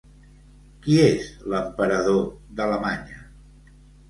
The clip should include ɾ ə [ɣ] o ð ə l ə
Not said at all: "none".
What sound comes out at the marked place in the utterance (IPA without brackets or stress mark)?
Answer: ð